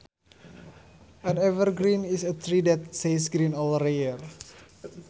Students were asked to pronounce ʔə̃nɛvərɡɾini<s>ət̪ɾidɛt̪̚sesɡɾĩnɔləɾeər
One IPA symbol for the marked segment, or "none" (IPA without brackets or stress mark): s